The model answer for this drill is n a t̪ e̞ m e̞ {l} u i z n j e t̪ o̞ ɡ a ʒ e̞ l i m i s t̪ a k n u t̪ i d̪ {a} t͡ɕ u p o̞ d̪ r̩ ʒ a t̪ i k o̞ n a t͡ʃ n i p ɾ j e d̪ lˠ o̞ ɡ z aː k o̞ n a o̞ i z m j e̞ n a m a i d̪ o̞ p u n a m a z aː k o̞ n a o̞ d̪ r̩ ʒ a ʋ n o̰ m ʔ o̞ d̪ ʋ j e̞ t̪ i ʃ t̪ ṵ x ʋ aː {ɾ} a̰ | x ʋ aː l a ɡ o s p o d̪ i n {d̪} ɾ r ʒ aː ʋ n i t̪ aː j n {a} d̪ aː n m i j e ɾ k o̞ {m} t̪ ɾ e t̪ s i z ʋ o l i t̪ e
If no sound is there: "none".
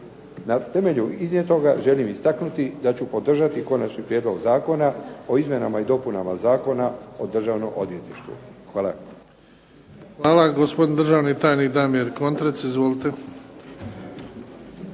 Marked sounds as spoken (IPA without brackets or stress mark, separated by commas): ʎ, a, l, d̪, i, n